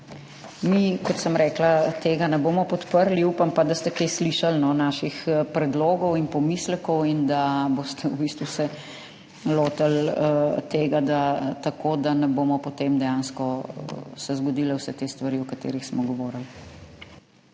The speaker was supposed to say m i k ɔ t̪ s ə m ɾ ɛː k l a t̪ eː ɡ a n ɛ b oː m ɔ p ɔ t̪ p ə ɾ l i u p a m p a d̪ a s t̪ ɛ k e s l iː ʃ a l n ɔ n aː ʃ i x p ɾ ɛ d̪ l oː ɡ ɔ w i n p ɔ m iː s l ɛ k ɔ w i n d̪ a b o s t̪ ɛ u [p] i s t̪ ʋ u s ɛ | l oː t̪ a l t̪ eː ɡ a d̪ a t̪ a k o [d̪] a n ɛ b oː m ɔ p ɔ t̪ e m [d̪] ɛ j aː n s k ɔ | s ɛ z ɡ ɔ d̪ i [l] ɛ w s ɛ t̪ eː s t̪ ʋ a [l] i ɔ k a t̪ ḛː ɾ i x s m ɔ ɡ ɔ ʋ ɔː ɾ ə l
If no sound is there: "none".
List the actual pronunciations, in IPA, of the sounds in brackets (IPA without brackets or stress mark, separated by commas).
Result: b, d̪, d̪, l, ɾ